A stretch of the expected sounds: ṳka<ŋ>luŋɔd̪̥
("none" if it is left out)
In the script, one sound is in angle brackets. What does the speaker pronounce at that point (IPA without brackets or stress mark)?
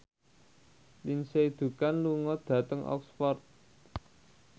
n